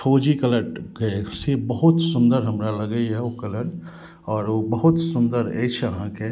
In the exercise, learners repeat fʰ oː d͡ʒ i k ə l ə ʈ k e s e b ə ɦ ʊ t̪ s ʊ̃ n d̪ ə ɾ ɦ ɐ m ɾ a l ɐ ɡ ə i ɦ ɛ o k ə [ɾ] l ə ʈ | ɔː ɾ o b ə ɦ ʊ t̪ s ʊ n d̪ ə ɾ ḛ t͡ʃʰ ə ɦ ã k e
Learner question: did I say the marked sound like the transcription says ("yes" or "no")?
no